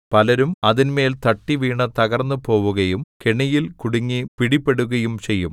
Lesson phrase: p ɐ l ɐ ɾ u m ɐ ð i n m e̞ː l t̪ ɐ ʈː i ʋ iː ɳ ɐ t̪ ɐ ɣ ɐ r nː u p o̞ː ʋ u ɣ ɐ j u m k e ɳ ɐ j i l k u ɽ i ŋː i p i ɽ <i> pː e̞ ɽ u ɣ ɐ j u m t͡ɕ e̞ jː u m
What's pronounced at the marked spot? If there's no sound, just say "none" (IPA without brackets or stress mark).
i